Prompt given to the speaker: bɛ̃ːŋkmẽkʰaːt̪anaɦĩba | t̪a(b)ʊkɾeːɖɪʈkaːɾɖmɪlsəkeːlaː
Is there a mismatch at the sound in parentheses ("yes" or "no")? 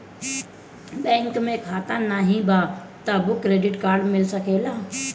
no